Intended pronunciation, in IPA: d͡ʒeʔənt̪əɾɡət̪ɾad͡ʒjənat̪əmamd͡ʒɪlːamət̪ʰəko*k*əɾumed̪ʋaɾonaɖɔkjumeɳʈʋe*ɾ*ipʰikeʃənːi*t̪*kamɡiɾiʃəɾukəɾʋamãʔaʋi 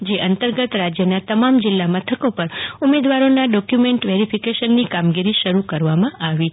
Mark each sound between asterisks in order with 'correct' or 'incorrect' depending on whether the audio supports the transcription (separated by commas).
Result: incorrect, correct, incorrect